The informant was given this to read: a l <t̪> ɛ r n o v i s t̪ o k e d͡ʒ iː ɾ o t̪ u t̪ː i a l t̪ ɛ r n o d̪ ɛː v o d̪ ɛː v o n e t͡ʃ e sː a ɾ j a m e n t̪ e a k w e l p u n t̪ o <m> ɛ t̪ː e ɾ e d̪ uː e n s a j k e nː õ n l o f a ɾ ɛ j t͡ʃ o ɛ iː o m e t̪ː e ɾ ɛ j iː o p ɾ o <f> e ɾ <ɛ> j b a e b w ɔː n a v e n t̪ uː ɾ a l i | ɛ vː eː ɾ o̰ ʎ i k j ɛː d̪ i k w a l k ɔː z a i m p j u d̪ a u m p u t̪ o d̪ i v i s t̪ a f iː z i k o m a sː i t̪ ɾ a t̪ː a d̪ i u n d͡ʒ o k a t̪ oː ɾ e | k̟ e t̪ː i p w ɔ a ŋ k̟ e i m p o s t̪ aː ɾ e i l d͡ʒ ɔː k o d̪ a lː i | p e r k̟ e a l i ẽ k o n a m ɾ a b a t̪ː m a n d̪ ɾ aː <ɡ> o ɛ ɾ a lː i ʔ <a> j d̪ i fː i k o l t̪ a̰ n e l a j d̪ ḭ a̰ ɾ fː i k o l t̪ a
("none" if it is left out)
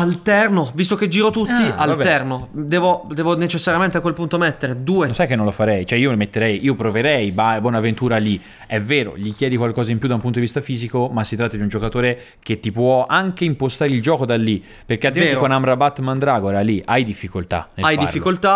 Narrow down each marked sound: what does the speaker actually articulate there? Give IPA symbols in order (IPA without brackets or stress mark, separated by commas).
t̪, m, v, ɛ, ɡ, a